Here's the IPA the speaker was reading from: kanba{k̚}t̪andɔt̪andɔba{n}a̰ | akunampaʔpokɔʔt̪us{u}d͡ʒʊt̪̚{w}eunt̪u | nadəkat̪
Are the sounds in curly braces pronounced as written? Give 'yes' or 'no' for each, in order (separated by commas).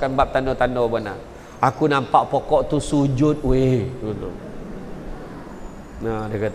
no, yes, yes, yes